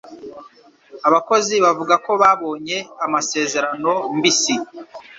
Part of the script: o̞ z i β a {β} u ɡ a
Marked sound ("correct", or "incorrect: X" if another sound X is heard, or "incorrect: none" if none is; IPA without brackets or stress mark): incorrect: v